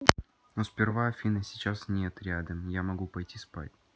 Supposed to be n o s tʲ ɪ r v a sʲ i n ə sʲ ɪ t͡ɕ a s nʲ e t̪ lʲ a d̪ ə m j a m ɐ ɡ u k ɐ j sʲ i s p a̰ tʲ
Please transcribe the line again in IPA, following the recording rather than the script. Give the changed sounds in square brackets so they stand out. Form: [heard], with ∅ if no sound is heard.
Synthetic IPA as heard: n o s [pʲ] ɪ r v a [fʲ] i n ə sʲ ɪ t͡ɕ a s nʲ e t̪ [ɾʲ] a d̪ ə m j a m ɐ ɡ u [p] ɐ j [tʲ] i s p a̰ tʲ